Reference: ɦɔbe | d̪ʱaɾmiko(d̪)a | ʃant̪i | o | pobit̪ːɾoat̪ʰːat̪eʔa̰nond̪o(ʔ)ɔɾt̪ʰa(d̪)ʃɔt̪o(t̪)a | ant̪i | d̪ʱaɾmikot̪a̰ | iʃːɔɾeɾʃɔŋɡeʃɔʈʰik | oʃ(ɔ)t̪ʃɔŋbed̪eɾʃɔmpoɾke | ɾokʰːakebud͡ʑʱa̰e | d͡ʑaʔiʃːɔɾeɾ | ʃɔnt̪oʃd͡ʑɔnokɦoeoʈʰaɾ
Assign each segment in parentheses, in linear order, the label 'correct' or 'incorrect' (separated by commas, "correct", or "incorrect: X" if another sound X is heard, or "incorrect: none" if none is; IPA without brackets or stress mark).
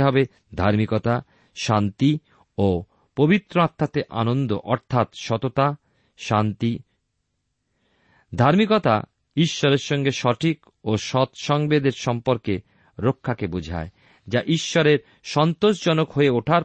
incorrect: t̪, correct, incorrect: t̪, correct, correct